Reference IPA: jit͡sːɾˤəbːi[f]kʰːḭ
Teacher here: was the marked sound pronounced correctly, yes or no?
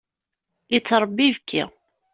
no